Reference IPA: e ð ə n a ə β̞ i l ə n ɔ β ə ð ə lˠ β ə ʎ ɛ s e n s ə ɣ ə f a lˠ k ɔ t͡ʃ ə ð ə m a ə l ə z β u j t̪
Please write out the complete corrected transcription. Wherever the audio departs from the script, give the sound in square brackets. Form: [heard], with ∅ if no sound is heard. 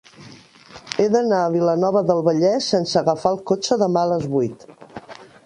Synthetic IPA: e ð ə n a ə β̞ i l ə n ɔ β ə ð ə lˠ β ə ʎ ɛ s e n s ə ɣ ə f a lˠ k [o] t͡ʃ ə ð ə m a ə l ə z β u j t̪